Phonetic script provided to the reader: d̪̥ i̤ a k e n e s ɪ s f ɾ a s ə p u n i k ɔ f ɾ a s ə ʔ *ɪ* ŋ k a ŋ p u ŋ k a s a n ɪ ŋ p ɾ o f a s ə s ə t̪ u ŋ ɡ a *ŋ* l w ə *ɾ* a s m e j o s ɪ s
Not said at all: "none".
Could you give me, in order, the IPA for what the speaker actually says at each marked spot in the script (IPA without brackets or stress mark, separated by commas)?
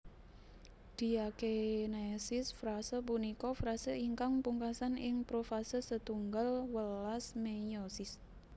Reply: i, none, l